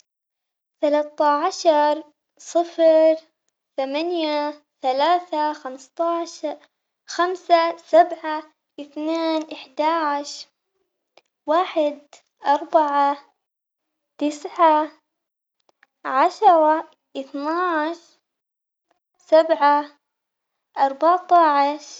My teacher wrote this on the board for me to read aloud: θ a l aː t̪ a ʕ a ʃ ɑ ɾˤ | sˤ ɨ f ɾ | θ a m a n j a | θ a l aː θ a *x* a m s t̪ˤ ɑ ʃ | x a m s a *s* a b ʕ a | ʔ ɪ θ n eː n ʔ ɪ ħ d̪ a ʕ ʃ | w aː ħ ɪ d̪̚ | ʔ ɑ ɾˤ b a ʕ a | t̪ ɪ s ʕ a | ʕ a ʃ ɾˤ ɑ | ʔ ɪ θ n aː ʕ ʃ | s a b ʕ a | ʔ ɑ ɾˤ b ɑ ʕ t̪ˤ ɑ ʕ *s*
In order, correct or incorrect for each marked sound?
correct, correct, incorrect

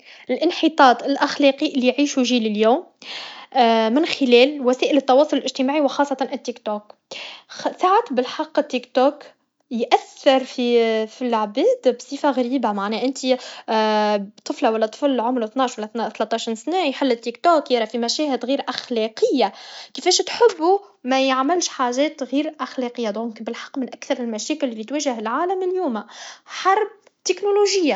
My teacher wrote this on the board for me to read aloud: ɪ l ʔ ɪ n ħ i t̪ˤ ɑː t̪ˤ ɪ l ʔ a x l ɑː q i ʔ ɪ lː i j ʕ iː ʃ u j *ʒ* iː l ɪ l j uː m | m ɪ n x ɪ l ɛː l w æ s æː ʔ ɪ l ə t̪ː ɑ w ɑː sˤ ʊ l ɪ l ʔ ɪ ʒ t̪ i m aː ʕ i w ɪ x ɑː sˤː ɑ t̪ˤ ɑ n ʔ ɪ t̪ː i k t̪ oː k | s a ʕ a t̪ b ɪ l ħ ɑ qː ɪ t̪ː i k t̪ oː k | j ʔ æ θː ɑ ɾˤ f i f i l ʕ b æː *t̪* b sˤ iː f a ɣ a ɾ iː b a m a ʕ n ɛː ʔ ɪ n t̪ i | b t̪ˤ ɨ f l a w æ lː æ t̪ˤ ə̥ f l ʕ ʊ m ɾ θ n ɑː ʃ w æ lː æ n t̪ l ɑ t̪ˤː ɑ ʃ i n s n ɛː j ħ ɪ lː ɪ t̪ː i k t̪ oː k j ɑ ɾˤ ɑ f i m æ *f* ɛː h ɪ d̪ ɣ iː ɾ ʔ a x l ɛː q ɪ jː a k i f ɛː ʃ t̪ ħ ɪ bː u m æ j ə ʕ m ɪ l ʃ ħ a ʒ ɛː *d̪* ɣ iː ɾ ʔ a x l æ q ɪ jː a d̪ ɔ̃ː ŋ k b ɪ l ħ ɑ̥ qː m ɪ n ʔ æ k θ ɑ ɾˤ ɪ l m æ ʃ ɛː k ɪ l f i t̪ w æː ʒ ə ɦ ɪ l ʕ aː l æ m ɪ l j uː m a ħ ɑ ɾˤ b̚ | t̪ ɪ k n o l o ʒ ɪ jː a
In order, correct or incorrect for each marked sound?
correct, incorrect, incorrect, incorrect

